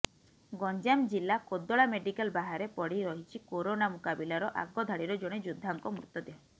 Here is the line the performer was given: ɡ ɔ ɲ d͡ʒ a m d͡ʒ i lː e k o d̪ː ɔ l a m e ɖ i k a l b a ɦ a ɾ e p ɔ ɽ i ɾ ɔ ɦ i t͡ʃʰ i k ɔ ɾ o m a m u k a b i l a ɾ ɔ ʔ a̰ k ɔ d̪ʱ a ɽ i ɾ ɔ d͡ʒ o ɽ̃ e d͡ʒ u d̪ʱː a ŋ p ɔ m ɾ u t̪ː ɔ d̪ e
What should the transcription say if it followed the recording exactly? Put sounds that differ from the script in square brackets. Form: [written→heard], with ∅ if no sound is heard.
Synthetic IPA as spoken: ɡ ɔ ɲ d͡ʒ a m d͡ʒ i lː [e→a] k o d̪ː ɔ [l→ɭ] a m e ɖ i k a l b a ɦ a ɾ e p ɔ ɽ i ɾ ɔ ɦ i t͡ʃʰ i k [ɔ→o] ɾ o [m→n] a m u k a b i l a ɾ ɔ ʔ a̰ [k→ɡ] ɔ d̪ʱ a ɽ i ɾ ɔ d͡ʒ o ɽ̃ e d͡ʒ u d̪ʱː a ŋ [p→k] ɔ m ɾ u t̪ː ɔ d̪ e